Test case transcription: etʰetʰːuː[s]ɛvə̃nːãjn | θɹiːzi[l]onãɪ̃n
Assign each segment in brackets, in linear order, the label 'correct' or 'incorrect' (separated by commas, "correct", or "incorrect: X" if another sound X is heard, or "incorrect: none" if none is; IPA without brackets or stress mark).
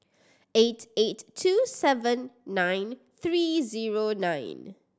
correct, incorrect: ɹ